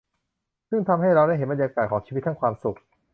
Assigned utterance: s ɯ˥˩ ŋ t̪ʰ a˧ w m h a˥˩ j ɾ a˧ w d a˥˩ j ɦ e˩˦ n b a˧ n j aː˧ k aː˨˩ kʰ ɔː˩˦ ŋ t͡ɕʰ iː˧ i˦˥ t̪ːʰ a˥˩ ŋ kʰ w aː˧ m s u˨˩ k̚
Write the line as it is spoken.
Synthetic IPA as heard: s ɯ˥˩ ŋ t̪ʰ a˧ m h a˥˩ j ɾ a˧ w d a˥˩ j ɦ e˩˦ n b a˧ n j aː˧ k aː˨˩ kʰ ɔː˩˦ ŋ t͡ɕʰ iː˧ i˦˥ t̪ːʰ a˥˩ ŋ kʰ w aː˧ m s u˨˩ k̚